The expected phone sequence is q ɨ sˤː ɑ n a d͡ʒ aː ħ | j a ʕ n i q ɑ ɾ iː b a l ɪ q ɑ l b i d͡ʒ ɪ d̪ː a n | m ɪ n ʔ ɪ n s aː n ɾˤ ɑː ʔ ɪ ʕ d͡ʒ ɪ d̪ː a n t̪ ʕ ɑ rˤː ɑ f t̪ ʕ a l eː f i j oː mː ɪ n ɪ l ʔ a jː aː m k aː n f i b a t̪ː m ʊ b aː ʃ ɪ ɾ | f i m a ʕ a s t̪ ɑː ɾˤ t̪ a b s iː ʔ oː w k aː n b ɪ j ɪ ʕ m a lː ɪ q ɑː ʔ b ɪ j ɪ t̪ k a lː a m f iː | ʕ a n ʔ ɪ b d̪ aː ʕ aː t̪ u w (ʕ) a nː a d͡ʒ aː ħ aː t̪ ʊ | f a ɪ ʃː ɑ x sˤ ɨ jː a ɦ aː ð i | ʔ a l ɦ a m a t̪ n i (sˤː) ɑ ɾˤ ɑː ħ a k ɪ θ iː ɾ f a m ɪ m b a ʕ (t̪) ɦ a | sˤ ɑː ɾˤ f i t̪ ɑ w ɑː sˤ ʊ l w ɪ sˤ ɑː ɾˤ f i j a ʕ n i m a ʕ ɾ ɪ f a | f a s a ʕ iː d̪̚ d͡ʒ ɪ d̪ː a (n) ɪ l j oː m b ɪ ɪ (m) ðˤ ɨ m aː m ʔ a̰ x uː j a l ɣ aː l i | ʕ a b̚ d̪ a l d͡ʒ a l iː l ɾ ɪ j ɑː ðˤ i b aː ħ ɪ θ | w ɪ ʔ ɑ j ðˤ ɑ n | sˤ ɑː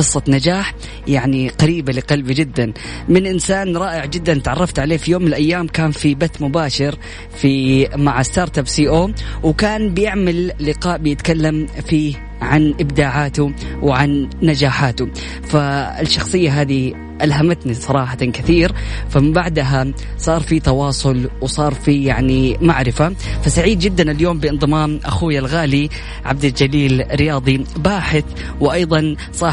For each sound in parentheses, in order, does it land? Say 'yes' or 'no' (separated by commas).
yes, no, no, yes, no